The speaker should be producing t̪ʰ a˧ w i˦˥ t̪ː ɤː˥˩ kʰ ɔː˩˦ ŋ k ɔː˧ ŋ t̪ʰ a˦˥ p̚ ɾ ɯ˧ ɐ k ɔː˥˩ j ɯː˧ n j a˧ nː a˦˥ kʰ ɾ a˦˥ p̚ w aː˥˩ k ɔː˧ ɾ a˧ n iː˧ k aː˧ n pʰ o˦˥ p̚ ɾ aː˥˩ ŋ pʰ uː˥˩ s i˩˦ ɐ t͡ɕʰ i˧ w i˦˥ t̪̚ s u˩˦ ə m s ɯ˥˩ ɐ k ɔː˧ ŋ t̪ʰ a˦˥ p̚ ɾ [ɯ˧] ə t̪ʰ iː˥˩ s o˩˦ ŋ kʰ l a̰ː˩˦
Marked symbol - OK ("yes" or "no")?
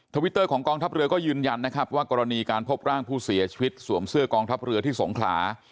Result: yes